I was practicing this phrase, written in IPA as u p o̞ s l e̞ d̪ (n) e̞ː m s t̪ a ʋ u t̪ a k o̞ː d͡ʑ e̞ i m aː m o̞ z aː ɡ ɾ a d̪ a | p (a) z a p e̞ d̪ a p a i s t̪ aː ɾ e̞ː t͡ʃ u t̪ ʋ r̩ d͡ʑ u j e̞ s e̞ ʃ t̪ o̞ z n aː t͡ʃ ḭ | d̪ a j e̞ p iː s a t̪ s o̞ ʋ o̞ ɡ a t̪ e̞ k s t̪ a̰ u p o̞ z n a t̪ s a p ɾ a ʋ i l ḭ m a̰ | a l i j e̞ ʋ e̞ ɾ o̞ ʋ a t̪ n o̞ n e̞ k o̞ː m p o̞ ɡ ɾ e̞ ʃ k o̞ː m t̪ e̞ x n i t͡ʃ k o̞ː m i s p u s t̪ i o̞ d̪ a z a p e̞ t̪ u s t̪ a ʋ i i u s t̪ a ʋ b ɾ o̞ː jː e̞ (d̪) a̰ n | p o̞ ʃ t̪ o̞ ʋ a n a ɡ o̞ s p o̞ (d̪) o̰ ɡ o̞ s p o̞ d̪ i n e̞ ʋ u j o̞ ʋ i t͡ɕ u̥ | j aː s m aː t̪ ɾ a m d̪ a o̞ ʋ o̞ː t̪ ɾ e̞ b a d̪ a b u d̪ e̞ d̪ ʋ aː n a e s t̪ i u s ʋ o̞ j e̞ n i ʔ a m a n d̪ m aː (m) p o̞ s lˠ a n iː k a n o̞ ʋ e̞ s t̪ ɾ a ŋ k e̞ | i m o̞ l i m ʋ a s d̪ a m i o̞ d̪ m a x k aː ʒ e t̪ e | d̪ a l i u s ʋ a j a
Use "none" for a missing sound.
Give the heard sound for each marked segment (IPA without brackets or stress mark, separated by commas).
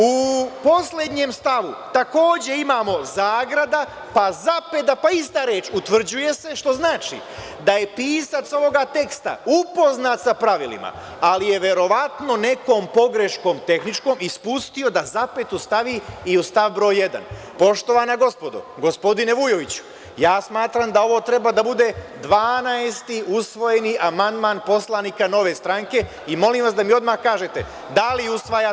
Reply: ɲ, a, d̪, d̪, n